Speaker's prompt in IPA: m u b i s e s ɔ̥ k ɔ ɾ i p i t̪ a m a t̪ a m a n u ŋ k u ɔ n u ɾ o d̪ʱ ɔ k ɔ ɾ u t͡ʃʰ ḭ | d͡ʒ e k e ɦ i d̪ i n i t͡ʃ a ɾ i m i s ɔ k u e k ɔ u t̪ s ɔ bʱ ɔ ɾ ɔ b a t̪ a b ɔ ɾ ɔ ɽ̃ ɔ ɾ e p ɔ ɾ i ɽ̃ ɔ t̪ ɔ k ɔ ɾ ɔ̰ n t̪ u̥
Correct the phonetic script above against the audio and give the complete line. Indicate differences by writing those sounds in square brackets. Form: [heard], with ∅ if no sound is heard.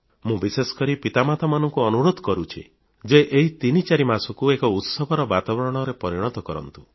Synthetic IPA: m [ũ] b i s e s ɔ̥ k ɔ ɾ i p i t̪ a m a t̪ a m a n [ɔ] ŋ k u ɔ n u ɾ o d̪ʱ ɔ k ɔ ɾ u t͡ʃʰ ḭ | d͡ʒ e [ʔ] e ɦ i [t̪] i n i t͡ʃ a ɾ i m [a] s ɔ k u e k ɔ u t̪ s ɔ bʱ ɔ ɾ ɔ b a t̪ a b ɔ ɾ ɔ ɽ̃ ɔ ɾ e p ɔ ɾ i ɽ̃ ɔ t̪ ɔ k ɔ ɾ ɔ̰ n t̪ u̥